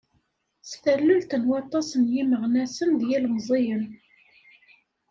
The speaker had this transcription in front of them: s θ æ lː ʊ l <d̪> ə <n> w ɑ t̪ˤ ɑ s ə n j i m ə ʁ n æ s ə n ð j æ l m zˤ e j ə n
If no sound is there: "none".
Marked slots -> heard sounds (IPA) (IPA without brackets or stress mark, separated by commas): t̪, n